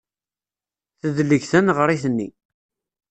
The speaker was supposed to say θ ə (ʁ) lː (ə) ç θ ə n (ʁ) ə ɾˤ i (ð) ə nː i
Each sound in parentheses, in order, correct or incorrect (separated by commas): incorrect, correct, correct, incorrect